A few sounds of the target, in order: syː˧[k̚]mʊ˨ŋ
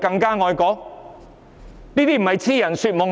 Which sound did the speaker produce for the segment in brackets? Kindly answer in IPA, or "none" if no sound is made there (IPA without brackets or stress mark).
t̚